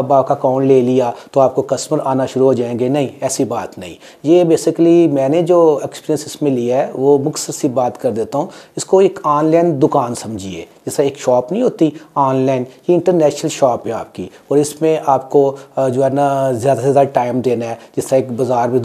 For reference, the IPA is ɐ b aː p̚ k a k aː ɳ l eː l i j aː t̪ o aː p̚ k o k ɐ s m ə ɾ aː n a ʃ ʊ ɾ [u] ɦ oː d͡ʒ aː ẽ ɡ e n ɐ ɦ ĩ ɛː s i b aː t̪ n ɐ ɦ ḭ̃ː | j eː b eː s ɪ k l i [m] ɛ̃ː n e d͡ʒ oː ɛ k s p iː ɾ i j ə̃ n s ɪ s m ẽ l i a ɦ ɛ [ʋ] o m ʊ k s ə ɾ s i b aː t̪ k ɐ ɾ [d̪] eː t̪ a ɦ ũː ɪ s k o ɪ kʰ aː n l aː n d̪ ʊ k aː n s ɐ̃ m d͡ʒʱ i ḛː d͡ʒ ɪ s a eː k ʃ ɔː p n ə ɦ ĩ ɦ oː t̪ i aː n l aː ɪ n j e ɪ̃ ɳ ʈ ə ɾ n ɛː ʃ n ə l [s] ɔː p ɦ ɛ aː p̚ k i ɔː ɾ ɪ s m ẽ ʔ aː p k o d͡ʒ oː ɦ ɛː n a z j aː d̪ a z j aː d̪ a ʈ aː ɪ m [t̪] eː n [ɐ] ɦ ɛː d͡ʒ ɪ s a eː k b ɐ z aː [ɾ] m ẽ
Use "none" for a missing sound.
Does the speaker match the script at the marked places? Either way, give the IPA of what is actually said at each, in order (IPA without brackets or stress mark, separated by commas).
u, m, ʋ, d̪, ʃ, d̪, a, ɾ